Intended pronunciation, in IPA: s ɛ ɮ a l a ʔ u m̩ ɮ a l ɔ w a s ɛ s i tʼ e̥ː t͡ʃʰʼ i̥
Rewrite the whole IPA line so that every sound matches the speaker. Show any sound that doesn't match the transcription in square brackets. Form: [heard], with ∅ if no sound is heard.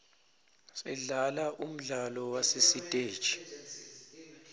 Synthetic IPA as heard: s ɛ ɮ a l a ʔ u m̩ ɮ a l ɔ w a s [e] s i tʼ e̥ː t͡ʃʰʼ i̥